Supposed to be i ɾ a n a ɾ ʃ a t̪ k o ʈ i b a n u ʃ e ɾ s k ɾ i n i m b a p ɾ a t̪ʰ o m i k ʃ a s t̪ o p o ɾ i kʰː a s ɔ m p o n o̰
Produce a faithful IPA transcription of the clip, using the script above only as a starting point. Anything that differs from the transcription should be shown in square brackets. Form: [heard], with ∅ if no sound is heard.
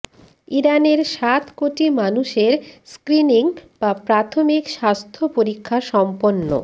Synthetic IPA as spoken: i ɾ a n [e] ɾ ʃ a t̪ k o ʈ i [m] a n u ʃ e ɾ s k ɾ i n i [ŋ] b a p ɾ a t̪ʰ o m i k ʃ a s [t̪ʰ] o p o ɾ i kʰː a [ʃ] ɔ m p o [nː] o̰